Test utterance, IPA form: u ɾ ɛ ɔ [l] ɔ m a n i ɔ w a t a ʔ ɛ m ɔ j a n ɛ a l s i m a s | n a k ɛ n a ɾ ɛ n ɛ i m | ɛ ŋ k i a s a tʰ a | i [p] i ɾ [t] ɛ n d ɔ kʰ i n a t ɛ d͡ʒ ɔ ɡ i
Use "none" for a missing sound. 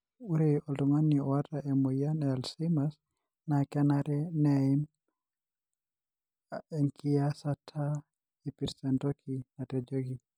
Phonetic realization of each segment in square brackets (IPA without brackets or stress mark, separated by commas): l, p, s